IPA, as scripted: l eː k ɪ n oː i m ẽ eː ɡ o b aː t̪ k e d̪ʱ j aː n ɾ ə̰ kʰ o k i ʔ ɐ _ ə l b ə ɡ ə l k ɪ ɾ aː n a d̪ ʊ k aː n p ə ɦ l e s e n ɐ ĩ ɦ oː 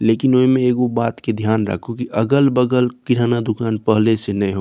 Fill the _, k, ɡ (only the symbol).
ɡ